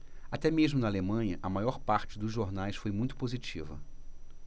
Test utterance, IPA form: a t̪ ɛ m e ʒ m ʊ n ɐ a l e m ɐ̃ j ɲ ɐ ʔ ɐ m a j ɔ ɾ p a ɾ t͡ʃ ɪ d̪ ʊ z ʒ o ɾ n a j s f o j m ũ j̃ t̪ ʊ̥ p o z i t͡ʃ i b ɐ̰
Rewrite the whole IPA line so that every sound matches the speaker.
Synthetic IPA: a t̪ ɛ m e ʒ m ʊ n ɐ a l e m ɐ̃ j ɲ ɐ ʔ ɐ m a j ɔ ɾ p a ɾ t͡ʃ ɪ d̪ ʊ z ʒ o ɾ n a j s f o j m ũ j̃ t̪ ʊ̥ p o z i t͡ʃ i v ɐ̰